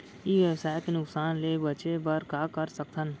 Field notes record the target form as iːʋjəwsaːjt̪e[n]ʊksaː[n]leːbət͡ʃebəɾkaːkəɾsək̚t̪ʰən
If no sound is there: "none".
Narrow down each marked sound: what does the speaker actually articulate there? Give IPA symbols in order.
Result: n, n

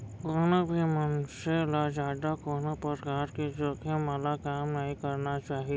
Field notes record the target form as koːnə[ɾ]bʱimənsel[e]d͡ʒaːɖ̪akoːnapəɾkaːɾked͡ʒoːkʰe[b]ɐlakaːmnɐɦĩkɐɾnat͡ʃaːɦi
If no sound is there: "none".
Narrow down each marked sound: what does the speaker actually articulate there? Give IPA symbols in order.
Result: none, a, m

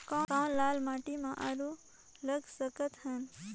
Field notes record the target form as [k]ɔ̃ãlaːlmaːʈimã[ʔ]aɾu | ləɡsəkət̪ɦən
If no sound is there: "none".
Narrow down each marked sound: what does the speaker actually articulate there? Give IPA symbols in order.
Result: k, ʔ

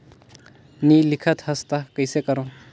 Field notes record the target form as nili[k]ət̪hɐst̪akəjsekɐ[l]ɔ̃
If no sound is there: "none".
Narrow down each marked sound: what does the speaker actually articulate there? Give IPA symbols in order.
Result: kʰ, ɾ

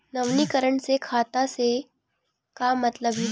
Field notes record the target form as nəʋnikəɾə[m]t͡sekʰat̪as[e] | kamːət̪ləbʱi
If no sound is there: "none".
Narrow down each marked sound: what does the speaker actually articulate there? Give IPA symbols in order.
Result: ɳ, e

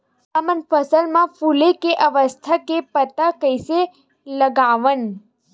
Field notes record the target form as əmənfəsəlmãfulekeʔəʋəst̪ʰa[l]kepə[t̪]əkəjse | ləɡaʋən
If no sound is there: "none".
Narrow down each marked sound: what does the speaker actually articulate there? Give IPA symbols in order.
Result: none, t̪

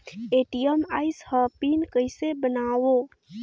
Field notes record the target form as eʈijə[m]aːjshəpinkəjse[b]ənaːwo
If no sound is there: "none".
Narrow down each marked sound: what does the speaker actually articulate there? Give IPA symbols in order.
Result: m, b

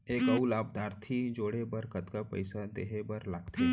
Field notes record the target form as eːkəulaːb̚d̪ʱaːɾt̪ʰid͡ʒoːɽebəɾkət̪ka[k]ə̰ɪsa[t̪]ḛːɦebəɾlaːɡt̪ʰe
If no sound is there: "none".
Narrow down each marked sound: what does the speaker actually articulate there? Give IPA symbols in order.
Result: p, d̪

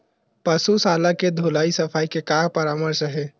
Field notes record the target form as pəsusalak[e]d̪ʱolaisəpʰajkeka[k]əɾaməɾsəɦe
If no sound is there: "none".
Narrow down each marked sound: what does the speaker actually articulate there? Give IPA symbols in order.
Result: e, p

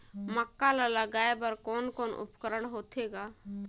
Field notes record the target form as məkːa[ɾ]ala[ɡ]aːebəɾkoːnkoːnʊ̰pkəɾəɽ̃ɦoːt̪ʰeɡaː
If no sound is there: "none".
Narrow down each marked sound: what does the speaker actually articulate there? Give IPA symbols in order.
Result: l, ɡ

